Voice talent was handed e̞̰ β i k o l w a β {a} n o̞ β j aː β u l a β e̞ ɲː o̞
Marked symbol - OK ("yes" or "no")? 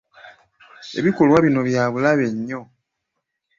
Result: no